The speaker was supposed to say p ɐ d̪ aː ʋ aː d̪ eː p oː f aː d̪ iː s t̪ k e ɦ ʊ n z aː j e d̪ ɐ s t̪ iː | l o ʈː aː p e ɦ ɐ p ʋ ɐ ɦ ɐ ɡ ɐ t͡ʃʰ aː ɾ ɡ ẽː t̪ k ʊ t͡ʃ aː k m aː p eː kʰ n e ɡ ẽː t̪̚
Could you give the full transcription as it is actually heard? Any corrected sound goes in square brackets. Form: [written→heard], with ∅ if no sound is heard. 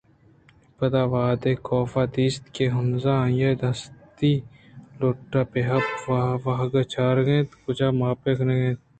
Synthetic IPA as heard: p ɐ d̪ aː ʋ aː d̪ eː [p→k] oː f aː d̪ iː s t̪ k e ɦ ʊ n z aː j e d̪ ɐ s t̪ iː | l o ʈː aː p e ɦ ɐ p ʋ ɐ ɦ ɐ ɡ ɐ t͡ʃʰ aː ɾ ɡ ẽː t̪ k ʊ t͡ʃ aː [k→∅] m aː p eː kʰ n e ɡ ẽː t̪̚